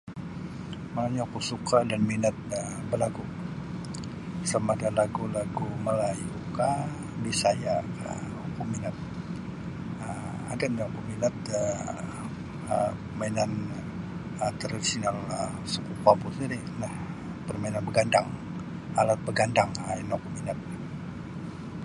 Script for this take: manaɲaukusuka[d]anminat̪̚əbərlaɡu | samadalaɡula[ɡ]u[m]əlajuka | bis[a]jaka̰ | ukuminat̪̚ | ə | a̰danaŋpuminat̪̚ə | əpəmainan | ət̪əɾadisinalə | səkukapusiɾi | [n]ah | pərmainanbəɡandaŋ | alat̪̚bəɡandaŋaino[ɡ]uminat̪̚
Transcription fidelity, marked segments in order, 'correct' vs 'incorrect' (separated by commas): correct, correct, correct, correct, correct, incorrect